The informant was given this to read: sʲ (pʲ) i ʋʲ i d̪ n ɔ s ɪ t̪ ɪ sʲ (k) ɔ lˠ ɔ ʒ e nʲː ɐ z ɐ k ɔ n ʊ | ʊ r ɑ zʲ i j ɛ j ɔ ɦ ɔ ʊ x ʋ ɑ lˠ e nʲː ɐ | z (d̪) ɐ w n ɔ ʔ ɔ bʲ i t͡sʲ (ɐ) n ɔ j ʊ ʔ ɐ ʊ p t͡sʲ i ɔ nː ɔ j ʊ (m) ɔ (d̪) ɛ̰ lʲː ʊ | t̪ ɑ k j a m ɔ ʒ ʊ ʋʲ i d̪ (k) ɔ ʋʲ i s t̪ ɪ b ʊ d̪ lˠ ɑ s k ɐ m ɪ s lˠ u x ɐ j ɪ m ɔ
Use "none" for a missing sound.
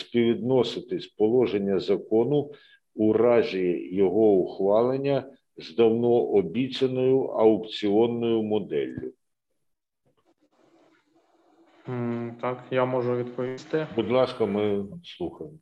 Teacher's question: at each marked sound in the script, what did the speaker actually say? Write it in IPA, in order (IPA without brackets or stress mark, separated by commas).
pʲ, p, d̪, ɐ, m, d̪, p